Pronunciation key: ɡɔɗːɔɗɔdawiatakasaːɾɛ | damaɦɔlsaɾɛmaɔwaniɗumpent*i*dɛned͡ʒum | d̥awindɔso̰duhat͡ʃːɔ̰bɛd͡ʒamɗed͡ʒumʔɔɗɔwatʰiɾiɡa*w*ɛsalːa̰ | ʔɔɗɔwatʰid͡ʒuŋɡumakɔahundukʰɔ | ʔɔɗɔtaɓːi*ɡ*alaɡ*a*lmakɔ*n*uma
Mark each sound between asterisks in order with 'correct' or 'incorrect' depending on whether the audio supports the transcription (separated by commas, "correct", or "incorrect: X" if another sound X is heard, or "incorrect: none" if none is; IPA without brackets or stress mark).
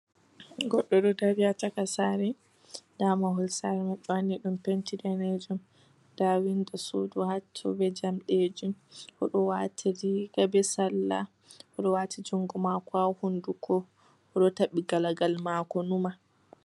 correct, incorrect: b, correct, correct, correct